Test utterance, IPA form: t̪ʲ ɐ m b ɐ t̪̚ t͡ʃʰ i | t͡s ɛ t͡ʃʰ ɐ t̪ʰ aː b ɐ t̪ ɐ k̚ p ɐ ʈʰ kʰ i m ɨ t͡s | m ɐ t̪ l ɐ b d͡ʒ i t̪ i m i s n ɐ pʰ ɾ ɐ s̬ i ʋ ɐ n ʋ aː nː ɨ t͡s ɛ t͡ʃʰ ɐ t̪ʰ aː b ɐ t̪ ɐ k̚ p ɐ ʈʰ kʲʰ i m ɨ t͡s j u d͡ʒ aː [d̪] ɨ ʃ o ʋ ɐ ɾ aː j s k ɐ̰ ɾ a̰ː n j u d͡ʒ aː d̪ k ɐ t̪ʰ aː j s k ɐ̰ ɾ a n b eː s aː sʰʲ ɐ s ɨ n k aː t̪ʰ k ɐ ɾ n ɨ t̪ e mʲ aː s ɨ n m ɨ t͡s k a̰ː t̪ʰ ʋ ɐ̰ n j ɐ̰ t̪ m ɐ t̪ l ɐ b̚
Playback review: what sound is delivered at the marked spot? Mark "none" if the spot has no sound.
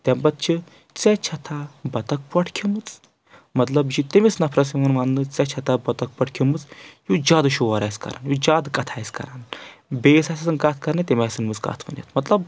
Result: d̪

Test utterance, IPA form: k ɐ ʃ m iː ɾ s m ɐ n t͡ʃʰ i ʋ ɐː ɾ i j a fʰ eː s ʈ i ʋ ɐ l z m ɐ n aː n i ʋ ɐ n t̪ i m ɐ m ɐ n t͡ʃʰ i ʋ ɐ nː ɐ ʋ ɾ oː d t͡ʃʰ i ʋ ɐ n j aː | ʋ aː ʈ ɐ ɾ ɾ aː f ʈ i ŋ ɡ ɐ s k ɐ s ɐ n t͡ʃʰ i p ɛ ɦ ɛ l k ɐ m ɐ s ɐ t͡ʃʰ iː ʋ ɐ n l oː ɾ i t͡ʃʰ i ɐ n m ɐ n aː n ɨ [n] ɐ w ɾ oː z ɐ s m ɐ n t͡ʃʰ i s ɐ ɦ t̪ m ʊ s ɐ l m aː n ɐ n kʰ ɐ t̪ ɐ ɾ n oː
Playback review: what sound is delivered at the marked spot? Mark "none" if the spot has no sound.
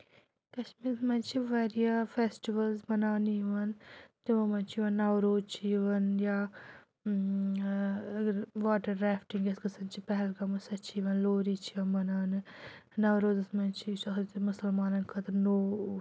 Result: n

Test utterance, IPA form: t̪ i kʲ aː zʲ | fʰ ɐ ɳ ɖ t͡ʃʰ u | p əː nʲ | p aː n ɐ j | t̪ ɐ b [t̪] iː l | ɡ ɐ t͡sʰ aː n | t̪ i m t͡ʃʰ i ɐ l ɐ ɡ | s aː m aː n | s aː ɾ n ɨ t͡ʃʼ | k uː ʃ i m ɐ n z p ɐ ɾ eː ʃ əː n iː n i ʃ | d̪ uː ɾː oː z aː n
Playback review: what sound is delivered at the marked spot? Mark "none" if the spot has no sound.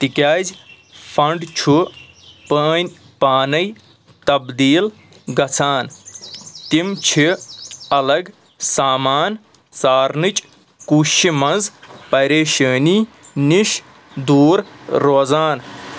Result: d̪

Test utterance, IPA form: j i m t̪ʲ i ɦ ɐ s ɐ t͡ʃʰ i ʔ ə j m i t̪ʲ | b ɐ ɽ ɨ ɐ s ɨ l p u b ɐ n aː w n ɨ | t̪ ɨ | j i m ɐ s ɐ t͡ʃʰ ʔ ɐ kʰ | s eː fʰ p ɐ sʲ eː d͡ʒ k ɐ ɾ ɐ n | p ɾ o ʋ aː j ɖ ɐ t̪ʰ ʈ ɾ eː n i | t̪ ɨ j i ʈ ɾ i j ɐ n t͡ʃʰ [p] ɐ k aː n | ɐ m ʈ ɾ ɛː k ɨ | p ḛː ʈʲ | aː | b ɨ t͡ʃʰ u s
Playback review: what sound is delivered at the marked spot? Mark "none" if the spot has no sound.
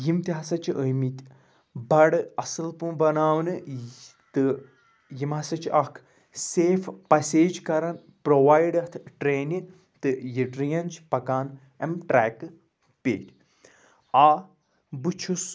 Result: p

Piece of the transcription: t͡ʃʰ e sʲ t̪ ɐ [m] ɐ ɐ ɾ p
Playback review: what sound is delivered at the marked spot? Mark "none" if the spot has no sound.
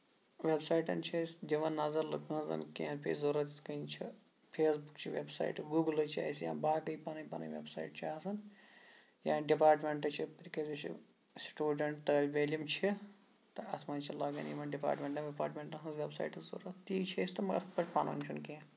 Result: m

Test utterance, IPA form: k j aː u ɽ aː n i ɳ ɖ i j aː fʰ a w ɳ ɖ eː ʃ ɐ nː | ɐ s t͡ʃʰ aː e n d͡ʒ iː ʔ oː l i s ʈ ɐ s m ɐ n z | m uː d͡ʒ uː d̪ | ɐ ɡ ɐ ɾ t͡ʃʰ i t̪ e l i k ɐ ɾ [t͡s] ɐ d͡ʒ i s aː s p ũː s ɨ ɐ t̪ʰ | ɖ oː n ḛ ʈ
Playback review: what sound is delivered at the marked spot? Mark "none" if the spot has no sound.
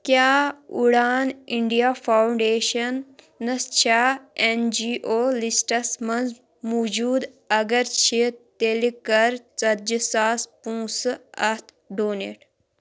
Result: t͡s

